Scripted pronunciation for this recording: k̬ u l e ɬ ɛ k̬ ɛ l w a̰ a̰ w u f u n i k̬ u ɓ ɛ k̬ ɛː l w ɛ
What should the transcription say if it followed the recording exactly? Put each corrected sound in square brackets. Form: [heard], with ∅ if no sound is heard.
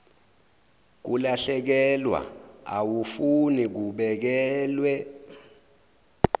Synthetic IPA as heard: k̬ u l [a] ɬ ɛ k̬ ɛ l w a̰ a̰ w u f u n i k̬ u ɓ ɛ k̬ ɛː l w ɛ